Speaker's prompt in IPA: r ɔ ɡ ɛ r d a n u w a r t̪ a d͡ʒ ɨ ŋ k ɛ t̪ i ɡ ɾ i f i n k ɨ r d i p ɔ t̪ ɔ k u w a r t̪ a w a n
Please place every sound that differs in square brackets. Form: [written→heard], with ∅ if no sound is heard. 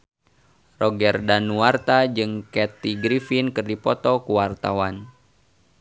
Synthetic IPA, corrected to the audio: r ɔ ɡ ɛ r d a n u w a r t̪ a d͡ʒ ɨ ŋ k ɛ t̪ i ɡ ɾ i f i n k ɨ r d i p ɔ t̪ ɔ k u w a r t̪ a w a n